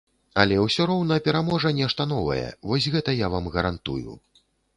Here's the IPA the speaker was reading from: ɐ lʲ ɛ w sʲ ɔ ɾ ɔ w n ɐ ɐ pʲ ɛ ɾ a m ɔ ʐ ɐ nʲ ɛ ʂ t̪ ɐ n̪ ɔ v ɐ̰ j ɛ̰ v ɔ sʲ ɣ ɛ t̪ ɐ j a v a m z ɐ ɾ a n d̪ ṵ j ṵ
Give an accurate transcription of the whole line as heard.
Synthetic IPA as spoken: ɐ lʲ ɛ w sʲ ɔ ɾ ɔ w n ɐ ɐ pʲ ɛ ɾ a m ɔ ʐ ɐ nʲ ɛ ʂ t̪ ɐ n̪ ɔ v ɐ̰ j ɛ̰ v ɔ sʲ ɣ ɛ t̪ ɐ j a v a m ɣ ɐ ɾ a n t̪ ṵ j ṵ